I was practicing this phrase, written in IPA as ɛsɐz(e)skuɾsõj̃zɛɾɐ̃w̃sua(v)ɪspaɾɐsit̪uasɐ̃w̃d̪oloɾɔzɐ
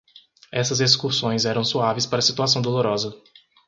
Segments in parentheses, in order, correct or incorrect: correct, correct

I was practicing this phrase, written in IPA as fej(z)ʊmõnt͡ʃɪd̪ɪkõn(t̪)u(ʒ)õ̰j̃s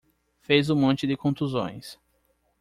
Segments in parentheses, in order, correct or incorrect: correct, correct, incorrect

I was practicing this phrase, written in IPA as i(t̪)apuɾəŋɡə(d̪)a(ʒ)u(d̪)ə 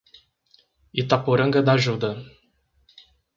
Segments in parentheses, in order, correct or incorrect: correct, correct, correct, correct

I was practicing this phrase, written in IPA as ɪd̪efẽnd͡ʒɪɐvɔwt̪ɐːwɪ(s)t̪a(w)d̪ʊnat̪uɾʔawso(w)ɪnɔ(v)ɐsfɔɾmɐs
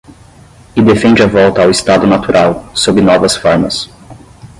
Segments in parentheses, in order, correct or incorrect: correct, incorrect, incorrect, correct

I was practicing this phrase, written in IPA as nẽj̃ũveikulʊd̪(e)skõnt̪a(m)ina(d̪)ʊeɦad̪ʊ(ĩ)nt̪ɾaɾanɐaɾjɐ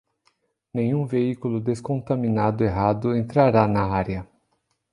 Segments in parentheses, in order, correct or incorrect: correct, correct, correct, incorrect

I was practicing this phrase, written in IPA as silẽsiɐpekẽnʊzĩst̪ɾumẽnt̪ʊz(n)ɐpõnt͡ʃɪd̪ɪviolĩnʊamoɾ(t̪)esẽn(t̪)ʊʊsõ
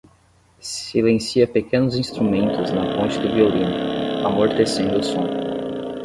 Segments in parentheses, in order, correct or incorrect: correct, correct, incorrect

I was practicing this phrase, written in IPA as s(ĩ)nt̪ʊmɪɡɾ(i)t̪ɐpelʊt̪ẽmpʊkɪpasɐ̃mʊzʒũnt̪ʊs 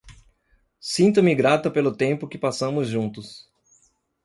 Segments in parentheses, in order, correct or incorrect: correct, incorrect

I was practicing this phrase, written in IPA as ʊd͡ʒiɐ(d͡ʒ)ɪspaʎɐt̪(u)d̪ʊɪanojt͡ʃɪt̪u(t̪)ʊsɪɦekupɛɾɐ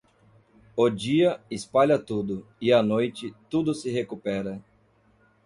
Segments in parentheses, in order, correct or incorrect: incorrect, correct, incorrect

